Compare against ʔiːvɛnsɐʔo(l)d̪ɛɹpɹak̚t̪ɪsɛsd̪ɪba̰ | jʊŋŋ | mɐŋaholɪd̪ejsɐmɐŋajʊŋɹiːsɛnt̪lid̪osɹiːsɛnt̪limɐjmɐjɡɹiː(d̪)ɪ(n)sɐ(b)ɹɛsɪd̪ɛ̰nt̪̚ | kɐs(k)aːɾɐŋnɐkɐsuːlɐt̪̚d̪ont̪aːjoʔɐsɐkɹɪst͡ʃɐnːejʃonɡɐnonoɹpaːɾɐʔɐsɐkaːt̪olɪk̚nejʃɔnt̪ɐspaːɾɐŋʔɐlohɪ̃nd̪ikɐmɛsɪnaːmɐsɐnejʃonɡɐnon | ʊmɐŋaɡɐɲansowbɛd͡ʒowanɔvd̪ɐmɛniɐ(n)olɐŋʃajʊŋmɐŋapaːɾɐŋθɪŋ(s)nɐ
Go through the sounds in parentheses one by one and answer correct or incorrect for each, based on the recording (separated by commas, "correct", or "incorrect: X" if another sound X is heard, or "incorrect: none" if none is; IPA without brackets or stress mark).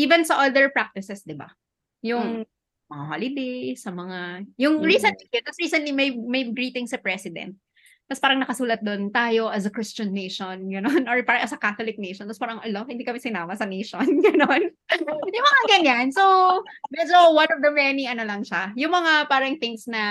correct, incorrect: t̪, incorrect: ŋ, incorrect: p, incorrect: p, correct, correct